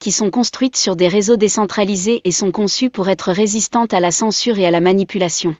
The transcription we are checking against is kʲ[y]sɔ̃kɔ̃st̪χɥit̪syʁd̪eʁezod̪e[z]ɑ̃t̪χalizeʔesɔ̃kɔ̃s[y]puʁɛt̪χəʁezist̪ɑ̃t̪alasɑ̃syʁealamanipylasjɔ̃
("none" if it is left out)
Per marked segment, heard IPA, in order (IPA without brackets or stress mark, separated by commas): i, s, y